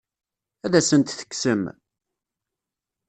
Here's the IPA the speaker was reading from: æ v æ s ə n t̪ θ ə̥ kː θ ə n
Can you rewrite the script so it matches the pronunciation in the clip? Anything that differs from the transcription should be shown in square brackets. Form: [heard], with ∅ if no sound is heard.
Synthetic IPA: æ [ð] æ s ə n t̪ θ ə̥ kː [s] ə [m]